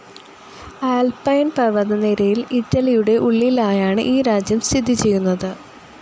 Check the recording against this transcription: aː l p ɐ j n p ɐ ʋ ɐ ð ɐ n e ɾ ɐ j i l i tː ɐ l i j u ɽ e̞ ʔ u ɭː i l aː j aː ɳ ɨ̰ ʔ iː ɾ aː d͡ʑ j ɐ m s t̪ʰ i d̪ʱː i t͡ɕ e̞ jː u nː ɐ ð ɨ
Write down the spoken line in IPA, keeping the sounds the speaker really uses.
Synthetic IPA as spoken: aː l p ɐ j n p ɐ ʋ ɐ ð ɐ n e ɾ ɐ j i l i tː ɐ l i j u ɽ e̞ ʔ u ɭː i l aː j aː ɳ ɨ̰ ʔ iː ɾ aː d͡ʑ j ɐ m s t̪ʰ i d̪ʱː i t͡ɕ e̞ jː u nː ɐ ð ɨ